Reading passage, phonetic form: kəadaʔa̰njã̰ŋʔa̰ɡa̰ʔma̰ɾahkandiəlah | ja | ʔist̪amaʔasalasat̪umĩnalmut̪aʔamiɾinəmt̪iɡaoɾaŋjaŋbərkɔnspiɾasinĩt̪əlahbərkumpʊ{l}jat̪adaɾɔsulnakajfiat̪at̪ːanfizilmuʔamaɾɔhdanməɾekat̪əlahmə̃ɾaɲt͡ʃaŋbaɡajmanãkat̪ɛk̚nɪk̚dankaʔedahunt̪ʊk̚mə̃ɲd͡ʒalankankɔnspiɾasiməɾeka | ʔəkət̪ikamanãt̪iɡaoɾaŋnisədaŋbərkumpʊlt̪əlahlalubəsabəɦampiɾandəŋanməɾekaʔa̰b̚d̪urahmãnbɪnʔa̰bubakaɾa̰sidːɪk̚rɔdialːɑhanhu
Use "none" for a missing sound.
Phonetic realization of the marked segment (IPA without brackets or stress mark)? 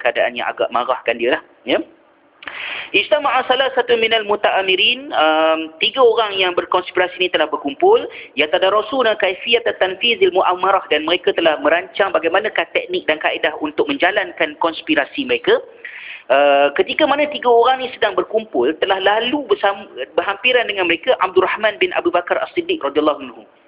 l